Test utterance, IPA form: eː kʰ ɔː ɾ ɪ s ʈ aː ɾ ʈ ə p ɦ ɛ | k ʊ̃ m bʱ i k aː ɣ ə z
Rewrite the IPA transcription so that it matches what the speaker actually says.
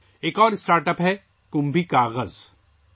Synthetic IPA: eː k ɔː ɾ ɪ s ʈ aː ɾ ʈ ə p ɦ ɛ | k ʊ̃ m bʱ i k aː ɣ ə z